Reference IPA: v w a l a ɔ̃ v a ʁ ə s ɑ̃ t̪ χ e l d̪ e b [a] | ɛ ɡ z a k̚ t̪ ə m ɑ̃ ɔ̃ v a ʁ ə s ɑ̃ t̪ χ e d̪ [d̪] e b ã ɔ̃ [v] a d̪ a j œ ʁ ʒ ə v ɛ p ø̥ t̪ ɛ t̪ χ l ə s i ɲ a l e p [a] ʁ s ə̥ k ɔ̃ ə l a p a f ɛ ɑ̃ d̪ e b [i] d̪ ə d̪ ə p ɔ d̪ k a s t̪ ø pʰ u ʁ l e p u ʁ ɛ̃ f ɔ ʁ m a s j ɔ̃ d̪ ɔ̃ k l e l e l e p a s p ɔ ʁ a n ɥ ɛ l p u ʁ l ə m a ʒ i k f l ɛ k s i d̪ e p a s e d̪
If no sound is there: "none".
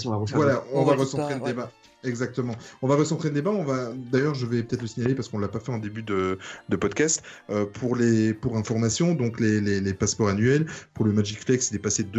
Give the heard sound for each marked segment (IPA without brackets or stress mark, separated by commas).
a, d̪, v, a, y